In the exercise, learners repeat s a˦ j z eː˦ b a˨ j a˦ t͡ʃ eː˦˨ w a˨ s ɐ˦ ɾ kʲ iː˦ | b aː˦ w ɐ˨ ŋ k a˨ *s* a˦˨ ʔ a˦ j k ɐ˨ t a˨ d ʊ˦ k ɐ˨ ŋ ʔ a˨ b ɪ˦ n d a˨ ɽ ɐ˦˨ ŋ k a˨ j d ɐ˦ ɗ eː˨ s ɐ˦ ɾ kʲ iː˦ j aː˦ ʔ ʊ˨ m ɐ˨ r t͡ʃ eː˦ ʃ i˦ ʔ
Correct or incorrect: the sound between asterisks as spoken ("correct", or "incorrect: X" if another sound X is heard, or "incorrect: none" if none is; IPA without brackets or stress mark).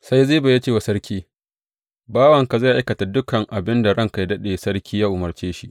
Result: incorrect: z